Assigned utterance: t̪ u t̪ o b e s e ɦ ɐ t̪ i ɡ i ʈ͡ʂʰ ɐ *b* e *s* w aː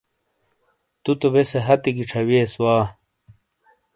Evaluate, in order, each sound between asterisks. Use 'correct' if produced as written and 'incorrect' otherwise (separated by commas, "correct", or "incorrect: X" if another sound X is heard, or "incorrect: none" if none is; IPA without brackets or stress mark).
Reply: incorrect: w, correct